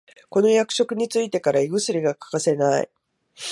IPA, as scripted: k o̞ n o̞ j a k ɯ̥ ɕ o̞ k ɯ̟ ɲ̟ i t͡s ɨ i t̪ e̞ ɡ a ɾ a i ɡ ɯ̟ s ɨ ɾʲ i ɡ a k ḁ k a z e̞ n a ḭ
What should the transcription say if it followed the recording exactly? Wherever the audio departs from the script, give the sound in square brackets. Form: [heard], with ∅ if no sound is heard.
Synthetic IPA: k o̞ n o̞ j a k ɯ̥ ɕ o̞ k ɯ̟ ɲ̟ i t͡s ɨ i t̪ e̞ [k] a ɾ a i ɡ ɯ̟ s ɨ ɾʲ i ɡ a k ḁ k a [s] e̞ n a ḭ